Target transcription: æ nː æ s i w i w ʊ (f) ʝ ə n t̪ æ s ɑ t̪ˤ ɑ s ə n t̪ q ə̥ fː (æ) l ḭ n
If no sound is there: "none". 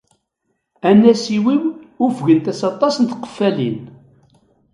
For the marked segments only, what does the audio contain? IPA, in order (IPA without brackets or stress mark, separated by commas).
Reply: f, æ